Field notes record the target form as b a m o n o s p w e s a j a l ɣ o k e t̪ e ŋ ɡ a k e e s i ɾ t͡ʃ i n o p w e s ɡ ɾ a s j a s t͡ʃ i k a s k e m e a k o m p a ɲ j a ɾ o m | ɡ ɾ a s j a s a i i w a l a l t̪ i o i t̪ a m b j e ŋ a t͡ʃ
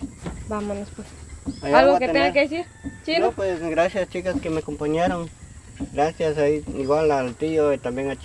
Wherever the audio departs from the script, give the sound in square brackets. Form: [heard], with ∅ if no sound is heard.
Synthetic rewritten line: b a m o n o s p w e s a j a l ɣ o k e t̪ e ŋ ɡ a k e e s i ɾ t͡ʃ i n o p w e s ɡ ɾ a s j a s t͡ʃ i k a s k e m e a k o m p a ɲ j a ɾ o [ŋ] | ɡ ɾ a s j a s a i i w a l a l t̪ i o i t̪ a m b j e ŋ a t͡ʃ